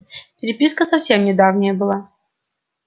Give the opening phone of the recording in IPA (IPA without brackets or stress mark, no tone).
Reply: pʲ